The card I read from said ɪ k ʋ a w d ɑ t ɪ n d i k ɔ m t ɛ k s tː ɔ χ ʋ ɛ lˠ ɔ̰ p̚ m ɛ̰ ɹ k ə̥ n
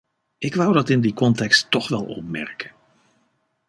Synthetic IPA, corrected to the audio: ɪ k ʋ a w d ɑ t ɪ n d i k ɔ n t ɛ k s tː ɔ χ ʋ ɛ lˠ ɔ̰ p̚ m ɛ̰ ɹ k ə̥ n